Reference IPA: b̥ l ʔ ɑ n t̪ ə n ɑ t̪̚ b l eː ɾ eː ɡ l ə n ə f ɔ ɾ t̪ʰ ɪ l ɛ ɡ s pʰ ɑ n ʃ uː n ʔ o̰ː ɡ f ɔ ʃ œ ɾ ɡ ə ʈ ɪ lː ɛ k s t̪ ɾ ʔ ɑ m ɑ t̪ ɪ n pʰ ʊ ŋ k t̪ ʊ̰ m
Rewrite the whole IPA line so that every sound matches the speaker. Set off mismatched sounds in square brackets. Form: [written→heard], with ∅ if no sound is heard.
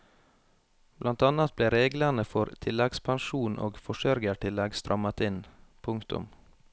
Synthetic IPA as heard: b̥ l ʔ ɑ n t̪ [ə→ɑ] n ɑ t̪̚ b l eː ɾ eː ɡ l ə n ə f ɔ ɾ t̪ʰ ɪ l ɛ ɡ s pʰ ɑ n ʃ uː n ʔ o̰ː ɡ f ɔ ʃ œ ɾ ɡ ə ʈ ɪ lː ɛ [k→ɡ] s t̪ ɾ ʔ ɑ m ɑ t̪ ɪ n pʰ ʊ ŋ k t̪ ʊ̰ m